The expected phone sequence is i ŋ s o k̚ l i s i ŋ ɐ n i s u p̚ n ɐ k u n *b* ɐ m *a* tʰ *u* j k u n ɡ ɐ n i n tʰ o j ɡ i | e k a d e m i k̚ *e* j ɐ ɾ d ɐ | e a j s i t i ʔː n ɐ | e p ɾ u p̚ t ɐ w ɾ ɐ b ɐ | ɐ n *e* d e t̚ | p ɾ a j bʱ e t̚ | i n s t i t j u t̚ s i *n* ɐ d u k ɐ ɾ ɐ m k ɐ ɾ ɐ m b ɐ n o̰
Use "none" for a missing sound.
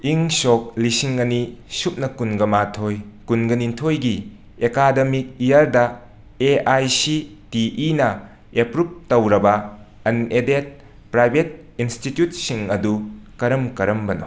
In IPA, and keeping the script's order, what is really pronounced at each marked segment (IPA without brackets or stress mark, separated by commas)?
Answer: ɡ, a, o, i, e, ŋ